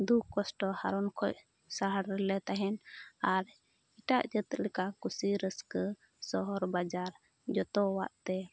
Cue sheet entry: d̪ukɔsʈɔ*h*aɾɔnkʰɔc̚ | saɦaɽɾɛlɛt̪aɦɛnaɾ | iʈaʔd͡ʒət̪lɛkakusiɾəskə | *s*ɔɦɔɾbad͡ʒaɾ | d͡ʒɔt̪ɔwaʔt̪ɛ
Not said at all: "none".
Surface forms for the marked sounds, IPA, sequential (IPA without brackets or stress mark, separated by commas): h, s